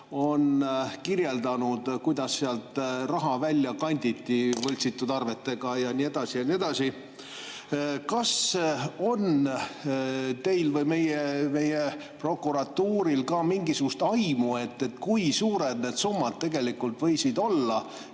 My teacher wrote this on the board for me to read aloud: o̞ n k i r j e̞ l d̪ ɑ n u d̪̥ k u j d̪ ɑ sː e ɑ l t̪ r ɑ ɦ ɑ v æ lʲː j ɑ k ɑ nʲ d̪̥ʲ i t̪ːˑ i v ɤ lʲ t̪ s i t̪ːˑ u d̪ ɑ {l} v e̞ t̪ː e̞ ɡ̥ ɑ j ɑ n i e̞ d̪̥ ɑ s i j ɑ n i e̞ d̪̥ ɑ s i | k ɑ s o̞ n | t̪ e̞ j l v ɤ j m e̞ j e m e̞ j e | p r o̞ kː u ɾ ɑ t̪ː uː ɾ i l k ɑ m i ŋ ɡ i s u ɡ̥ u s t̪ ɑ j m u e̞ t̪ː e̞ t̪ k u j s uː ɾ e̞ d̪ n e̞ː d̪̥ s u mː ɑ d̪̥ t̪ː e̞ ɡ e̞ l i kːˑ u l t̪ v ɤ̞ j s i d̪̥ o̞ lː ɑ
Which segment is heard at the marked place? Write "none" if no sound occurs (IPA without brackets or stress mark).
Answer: r